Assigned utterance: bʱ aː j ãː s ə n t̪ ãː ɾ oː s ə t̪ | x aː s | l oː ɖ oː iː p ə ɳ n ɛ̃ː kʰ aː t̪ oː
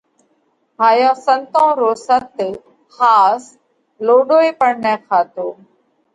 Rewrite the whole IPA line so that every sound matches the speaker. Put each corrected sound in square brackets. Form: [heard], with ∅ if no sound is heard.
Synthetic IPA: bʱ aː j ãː s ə n t̪ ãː ɾ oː s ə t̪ | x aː s | l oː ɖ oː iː p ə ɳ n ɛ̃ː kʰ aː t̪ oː

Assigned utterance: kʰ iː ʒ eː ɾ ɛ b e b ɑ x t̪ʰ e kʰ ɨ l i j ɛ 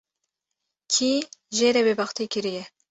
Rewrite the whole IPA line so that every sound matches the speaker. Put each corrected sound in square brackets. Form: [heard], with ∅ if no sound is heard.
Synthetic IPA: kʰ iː ʒ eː ɾ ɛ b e b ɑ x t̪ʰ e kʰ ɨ [ɾ] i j ɛ

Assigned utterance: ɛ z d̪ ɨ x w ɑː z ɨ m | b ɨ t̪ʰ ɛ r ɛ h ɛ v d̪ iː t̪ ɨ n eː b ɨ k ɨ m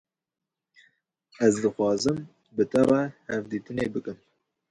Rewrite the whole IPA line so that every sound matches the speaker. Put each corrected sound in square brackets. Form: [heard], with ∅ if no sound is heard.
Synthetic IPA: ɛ z d̪ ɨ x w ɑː z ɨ m | b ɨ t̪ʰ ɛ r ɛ h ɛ v d̪ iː t̪ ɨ n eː b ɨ k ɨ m

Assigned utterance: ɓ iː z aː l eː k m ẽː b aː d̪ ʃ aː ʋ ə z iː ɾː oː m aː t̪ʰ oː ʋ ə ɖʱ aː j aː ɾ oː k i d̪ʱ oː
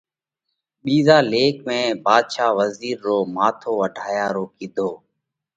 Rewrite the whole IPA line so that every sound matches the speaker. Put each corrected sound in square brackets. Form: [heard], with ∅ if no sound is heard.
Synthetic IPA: ɓ iː z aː l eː k m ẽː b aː d̪ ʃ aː ʋ ə z iː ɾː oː m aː t̪ʰ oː ʋ ə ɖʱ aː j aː ɾ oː k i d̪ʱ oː

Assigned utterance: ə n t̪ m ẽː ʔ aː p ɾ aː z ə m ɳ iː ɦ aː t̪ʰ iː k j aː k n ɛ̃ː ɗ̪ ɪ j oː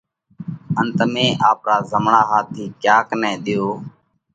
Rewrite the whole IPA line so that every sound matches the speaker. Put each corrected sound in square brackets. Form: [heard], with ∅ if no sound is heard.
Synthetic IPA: ə n t̪ m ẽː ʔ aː p ɾ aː z ə m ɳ [aː] ɦ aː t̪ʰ iː k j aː k n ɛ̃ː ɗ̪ ɪ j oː

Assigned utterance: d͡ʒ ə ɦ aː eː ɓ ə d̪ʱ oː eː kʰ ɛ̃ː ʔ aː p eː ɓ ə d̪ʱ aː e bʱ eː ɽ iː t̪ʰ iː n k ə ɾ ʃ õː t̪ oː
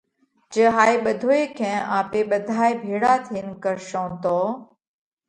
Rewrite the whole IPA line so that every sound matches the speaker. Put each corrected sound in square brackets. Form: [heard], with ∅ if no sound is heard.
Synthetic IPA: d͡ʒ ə ɦ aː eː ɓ ə d̪ʱ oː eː kʰ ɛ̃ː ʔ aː p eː ɓ ə d̪ʱ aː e bʱ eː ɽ [aː] t̪ʰ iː n k ə ɾ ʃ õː t̪ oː

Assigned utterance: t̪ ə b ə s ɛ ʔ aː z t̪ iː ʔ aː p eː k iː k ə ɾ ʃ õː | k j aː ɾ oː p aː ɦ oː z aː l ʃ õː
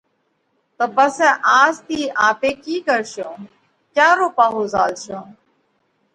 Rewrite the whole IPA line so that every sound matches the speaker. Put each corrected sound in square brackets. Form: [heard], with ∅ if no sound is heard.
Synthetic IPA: t̪ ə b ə s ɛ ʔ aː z t̪ iː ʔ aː p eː k iː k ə ɾ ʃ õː | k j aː ɾ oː p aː ɦ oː z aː l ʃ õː

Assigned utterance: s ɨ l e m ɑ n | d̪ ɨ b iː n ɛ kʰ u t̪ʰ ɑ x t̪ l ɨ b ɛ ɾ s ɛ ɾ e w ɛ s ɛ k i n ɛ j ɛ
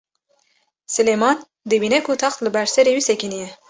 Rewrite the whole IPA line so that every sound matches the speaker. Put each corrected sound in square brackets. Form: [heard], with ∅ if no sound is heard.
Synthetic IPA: s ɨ l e m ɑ n | d̪ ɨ b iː n ɛ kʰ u t̪ʰ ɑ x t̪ l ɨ b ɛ ɾ s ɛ ɾ e w [i] s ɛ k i n [i] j ɛ

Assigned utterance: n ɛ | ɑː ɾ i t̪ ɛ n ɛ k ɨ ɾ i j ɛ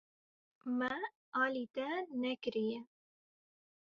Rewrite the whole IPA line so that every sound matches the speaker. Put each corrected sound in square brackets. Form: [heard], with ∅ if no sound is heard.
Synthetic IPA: [m] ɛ | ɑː [l] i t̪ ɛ n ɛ k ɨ ɾ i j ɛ

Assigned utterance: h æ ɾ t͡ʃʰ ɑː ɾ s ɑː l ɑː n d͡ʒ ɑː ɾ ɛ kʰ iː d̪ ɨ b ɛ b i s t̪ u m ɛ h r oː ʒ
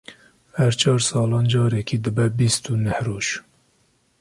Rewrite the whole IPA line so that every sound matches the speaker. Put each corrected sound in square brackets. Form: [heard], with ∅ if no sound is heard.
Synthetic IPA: h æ ɾ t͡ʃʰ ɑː ɾ s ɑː l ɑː n d͡ʒ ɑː ɾ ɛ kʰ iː d̪ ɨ b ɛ b i s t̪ u [n] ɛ h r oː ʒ

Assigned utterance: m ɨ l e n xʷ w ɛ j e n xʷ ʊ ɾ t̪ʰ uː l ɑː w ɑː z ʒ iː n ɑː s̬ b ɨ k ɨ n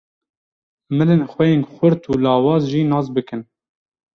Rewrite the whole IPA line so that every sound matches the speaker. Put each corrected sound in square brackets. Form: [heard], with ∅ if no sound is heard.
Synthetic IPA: m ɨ l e n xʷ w ɛ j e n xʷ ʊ ɾ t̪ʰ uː l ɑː w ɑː z ʒ iː n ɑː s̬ b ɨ k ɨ n

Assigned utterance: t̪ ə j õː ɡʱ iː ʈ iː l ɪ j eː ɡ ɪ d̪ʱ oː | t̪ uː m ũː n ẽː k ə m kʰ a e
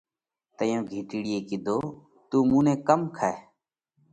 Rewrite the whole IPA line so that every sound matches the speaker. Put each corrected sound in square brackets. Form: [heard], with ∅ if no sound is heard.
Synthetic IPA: t̪ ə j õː ɡʱ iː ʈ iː [ɽ] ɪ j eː [k] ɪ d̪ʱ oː | t̪ uː m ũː n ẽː k ə m kʰ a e

